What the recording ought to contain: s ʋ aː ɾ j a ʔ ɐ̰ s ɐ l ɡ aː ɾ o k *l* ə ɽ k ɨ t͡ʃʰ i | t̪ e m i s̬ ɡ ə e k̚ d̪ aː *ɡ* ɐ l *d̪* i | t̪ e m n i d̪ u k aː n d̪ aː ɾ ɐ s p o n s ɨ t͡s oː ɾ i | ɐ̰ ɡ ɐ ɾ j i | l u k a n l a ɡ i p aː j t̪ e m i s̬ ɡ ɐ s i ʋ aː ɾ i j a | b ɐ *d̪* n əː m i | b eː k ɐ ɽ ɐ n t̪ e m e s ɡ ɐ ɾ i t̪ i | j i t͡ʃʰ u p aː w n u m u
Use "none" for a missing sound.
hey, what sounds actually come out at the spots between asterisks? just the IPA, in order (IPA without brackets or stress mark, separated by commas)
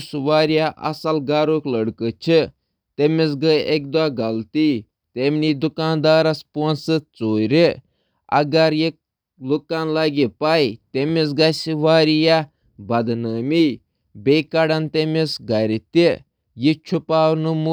l, ɡ, t̪, d̪